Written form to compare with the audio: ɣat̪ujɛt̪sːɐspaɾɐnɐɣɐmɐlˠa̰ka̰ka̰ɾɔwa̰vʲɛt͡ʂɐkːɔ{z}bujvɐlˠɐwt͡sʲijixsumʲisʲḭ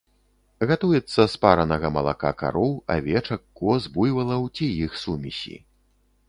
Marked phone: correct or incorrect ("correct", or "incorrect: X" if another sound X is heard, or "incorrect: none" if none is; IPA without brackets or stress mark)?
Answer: correct